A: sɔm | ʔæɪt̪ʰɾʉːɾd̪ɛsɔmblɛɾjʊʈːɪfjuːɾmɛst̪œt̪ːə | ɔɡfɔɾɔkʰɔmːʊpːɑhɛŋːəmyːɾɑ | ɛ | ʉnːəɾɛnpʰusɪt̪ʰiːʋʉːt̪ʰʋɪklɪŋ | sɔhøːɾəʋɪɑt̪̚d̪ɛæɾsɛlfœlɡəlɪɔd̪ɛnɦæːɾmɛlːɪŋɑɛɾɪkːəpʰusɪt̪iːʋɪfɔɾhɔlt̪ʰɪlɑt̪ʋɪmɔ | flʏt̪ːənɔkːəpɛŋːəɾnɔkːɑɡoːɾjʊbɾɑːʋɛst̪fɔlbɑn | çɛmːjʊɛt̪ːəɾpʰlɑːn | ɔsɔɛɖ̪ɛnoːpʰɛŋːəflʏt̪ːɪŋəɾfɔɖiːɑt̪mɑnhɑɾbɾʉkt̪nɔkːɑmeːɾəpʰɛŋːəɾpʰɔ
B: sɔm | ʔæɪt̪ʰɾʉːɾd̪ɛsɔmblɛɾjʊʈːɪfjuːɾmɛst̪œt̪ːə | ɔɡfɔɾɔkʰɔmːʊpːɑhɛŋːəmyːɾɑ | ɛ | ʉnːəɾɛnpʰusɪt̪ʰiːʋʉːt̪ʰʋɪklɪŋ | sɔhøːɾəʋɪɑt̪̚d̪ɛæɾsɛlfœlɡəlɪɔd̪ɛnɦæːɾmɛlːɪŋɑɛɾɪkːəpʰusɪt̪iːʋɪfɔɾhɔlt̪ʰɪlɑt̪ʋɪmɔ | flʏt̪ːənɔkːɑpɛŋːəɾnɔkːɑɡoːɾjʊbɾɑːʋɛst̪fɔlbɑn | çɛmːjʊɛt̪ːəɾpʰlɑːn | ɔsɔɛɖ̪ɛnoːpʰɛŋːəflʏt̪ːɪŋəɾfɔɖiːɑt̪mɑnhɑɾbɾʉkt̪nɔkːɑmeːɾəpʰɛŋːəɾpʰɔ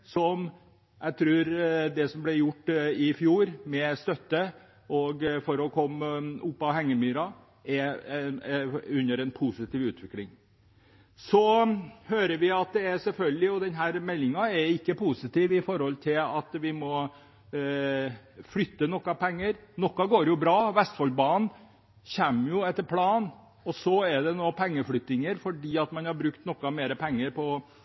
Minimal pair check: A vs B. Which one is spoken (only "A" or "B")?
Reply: B